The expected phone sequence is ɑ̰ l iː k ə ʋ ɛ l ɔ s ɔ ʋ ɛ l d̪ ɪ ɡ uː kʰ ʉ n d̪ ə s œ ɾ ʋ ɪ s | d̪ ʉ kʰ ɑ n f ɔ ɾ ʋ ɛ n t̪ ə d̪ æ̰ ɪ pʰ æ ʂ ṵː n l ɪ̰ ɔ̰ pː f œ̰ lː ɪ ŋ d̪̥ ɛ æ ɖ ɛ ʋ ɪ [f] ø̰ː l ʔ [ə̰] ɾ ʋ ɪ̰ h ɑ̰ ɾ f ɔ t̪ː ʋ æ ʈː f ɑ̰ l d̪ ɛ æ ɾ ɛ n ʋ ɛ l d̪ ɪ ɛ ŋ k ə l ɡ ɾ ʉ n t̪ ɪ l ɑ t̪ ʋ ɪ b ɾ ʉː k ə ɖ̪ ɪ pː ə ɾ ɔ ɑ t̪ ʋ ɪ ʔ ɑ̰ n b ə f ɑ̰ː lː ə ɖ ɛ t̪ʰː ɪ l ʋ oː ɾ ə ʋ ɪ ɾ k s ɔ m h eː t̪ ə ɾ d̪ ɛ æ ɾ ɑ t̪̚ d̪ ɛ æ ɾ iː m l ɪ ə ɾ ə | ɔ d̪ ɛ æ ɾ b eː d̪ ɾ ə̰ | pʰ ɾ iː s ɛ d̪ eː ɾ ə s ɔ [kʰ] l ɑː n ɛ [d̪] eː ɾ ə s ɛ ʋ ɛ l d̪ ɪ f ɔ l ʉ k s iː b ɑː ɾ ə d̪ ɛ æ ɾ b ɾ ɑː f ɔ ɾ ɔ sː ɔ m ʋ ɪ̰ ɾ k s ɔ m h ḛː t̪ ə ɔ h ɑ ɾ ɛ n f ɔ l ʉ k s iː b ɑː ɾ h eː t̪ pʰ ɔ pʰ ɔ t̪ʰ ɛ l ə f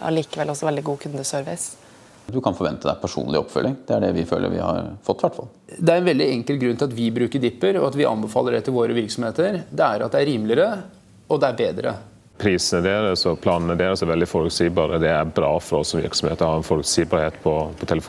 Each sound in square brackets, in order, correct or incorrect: correct, correct, incorrect, correct

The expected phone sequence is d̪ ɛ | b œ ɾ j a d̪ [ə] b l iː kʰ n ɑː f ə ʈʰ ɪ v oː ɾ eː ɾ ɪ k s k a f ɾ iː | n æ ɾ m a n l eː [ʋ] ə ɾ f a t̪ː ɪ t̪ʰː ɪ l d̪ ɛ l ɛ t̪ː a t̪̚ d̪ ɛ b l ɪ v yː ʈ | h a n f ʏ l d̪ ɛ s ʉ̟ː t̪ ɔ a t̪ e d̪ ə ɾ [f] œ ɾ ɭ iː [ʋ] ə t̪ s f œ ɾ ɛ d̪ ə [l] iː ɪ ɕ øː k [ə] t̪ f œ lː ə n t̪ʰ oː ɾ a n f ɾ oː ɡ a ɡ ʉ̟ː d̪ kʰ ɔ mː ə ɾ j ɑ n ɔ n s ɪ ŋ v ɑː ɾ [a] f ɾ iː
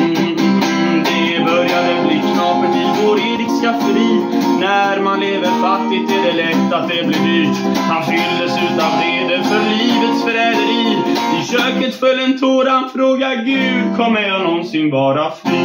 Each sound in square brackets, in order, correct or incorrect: correct, incorrect, correct, incorrect, incorrect, correct, correct

